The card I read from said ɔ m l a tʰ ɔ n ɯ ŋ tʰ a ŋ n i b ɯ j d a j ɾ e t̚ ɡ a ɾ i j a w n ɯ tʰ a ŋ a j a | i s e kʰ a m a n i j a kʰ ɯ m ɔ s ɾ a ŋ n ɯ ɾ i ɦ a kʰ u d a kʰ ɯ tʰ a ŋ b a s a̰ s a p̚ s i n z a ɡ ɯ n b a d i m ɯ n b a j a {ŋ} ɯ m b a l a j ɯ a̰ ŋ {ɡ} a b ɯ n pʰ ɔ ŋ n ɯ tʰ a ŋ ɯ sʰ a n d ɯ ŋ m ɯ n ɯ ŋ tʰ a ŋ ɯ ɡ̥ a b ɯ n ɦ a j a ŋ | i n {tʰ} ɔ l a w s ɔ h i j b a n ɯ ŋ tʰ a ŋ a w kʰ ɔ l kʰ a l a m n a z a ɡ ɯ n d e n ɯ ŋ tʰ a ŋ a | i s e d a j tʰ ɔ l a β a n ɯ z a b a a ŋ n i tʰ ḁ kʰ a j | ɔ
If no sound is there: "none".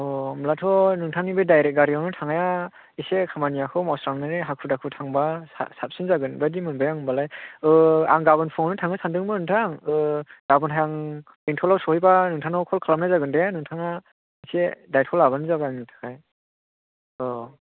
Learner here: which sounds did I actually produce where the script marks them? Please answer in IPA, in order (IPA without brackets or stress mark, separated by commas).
ŋ, ɡ, tʰ